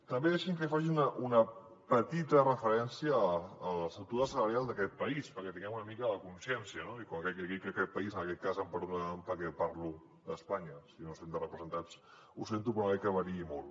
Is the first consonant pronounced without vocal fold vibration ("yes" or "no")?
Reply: yes